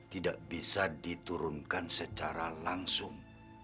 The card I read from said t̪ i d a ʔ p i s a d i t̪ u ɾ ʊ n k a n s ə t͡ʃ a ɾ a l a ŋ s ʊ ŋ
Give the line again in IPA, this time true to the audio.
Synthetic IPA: t̪ i d a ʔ b i s a d i t̪ u ɾ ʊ n k a n s ə t͡ʃ a ɾ a l a ŋ s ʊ ŋ